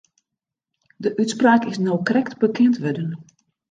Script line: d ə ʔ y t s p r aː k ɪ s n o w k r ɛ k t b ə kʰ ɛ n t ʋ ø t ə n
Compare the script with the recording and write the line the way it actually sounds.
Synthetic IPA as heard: d ə ʔ y t s p r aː k ɪ s n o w k r ɛ k t b ə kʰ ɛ n t ʋ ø d ə n